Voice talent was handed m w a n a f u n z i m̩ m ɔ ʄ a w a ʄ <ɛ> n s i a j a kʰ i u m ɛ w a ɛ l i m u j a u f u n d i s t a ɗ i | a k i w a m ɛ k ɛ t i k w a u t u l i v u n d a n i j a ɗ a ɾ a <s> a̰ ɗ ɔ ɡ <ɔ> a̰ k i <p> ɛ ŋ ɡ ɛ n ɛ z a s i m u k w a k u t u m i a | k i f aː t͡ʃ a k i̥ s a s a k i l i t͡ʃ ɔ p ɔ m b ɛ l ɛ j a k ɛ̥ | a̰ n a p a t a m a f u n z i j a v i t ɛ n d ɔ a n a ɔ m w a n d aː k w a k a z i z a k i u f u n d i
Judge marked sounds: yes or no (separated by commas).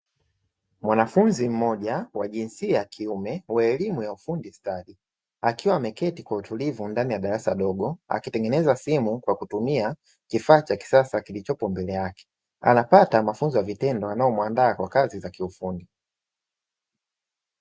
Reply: no, yes, yes, no